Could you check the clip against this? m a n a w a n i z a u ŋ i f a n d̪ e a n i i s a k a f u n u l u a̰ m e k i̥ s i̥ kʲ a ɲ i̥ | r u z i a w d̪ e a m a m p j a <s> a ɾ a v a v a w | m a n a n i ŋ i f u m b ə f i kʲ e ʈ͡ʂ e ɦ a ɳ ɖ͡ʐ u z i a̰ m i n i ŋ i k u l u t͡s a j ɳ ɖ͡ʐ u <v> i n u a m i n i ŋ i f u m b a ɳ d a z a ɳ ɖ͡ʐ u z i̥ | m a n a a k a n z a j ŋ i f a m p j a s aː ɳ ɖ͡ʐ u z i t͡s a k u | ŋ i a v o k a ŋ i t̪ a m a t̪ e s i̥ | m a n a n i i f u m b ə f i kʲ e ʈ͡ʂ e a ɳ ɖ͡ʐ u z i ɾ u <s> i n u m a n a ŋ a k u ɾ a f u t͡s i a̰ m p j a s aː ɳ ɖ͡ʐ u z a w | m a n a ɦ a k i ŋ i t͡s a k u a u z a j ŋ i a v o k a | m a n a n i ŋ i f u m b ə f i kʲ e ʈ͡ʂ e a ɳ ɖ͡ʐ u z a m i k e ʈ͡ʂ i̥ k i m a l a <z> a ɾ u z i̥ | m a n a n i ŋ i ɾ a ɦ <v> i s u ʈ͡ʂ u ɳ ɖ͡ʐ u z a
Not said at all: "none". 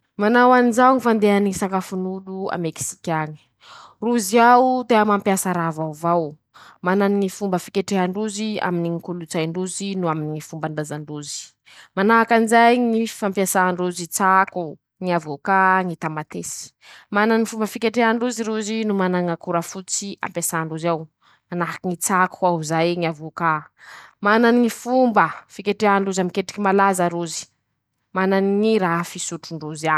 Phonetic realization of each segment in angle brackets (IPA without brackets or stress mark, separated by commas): s, z, z, z, f